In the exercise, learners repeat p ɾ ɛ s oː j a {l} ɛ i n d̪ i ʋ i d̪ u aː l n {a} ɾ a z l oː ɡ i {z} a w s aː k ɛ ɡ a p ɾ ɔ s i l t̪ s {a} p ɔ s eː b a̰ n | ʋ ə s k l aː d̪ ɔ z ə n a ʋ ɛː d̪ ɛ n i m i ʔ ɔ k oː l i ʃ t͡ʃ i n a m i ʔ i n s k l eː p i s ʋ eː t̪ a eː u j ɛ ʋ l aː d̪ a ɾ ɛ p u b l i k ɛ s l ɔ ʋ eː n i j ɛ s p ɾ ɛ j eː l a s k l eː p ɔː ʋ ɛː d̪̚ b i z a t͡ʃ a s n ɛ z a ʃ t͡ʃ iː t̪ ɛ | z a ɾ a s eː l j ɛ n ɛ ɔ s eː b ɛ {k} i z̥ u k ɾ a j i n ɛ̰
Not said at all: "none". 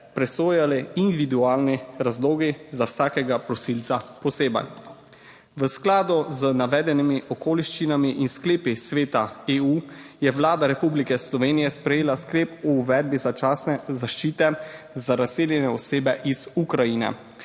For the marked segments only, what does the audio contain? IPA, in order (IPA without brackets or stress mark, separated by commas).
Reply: l, i, z, a, ʔ